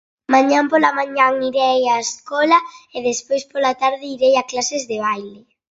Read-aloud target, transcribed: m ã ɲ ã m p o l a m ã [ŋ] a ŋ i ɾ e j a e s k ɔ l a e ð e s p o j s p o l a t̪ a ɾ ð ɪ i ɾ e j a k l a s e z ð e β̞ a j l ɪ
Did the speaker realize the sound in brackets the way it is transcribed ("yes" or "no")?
no